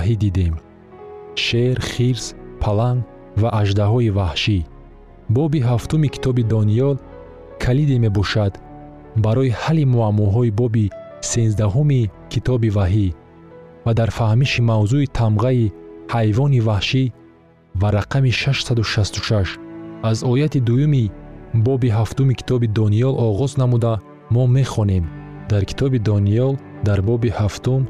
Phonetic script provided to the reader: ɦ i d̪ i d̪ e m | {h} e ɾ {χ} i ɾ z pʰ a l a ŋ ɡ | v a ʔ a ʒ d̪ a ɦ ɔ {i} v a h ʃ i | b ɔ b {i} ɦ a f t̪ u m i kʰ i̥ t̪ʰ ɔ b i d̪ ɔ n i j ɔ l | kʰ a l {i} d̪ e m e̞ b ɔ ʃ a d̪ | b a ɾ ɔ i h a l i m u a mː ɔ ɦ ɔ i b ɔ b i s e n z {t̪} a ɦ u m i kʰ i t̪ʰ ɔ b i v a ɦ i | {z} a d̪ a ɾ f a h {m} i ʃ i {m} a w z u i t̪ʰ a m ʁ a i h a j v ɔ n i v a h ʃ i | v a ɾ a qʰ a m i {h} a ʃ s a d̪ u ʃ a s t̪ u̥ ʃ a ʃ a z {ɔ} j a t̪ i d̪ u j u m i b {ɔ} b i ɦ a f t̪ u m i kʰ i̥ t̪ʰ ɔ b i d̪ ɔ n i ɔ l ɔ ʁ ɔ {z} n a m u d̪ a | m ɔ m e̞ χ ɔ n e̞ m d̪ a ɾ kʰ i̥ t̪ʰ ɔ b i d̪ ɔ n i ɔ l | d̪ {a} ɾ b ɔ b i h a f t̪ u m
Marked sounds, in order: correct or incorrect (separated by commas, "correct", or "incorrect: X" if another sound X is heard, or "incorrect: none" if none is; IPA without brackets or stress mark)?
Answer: incorrect: ʃ, correct, correct, correct, correct, incorrect: d̪, incorrect: v, correct, correct, incorrect: ʃ, correct, correct, correct, correct